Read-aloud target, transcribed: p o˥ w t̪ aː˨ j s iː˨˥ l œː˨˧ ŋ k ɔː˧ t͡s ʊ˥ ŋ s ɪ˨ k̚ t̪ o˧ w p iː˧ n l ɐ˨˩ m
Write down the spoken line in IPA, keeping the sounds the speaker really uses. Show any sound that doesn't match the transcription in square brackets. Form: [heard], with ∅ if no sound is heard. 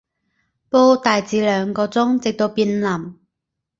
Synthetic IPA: p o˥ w t̪ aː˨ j [t͡s] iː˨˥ l œː˨˧ ŋ k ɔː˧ t͡s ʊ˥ ŋ [t͡s] ɪ˨ k̚ t̪ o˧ w p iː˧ n l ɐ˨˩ m